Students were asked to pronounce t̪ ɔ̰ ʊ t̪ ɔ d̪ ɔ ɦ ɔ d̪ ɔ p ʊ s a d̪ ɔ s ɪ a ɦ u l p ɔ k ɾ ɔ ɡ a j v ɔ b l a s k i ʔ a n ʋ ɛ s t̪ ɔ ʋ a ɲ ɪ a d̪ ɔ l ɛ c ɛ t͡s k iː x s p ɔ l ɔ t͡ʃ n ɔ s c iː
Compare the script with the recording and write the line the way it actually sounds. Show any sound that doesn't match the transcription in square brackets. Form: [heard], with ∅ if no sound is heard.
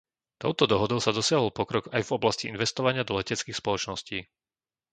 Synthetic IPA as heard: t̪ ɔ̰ ʊ t̪ ɔ d̪ ɔ ɦ ɔ d̪ ɔ [∅] ʊ s a d̪ ɔ s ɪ a ɦ [ɔ] l p ɔ k ɾ ɔ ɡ a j v ɔ b l a s [c] i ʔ [i] n ʋ ɛ s t̪ ɔ ʋ a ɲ ɪ a d̪ ɔ l ɛ c ɛ t͡s k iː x s p ɔ l ɔ t͡ʃ n ɔ s c iː